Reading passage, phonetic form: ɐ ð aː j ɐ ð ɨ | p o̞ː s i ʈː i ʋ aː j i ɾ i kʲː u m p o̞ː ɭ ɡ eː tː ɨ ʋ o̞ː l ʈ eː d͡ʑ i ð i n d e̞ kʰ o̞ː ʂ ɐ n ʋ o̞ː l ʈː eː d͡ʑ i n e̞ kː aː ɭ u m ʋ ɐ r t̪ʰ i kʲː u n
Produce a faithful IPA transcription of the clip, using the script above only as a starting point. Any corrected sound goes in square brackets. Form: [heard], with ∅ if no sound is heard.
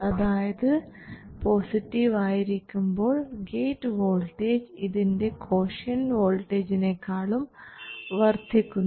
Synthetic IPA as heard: ɐ ð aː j ɐ ð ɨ | p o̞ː s i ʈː i ʋ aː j i ɾ i kʲː u m [b] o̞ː ɭ ɡ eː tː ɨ ʋ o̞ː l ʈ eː d͡ʑ i ð i n d e̞ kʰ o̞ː ʂ ɐ n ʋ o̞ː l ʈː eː d͡ʑ i n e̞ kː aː ɭ u m ʋ ɐ r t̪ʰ i kʲː u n